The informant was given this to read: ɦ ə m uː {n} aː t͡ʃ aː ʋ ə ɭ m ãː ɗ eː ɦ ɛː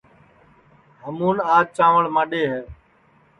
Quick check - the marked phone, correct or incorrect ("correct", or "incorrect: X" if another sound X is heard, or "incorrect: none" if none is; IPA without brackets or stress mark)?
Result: correct